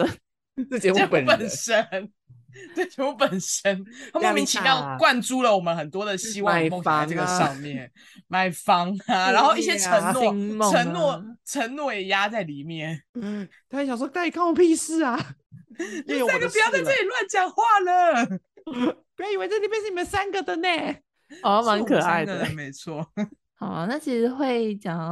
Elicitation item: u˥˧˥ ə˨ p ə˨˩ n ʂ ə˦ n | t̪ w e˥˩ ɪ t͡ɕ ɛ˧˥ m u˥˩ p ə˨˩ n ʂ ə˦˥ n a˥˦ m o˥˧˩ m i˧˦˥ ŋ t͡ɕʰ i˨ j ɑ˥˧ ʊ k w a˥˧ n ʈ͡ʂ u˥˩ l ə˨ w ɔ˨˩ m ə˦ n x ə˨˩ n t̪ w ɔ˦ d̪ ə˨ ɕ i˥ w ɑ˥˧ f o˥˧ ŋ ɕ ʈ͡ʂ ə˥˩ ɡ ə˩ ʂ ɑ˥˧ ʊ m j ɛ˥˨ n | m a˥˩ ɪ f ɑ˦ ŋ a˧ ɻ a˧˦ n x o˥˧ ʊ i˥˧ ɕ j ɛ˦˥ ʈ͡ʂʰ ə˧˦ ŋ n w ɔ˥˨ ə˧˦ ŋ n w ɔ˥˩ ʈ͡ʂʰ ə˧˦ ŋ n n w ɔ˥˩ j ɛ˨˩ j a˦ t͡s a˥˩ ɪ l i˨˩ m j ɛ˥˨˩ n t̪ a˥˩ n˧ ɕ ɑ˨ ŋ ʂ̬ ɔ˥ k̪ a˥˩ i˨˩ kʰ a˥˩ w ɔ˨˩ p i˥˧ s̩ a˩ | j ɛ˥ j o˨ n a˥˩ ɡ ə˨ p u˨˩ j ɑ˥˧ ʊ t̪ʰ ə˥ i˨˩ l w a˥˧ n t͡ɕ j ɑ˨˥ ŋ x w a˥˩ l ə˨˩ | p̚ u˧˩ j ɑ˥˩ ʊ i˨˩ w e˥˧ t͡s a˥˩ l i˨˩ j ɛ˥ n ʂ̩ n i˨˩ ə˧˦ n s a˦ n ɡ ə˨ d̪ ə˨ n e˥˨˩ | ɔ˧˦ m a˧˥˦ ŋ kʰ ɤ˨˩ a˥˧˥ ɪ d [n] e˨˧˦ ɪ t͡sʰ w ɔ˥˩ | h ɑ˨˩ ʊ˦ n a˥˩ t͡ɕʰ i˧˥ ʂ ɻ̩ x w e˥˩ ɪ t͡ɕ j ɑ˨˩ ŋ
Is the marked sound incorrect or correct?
incorrect